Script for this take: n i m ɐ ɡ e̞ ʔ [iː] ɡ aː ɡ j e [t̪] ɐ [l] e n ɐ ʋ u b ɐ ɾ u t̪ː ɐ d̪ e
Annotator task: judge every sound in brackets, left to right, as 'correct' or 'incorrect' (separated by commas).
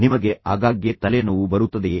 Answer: incorrect, correct, correct